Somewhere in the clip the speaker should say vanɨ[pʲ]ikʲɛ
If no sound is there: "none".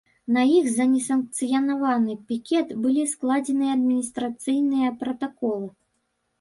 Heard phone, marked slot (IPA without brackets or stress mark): pʲ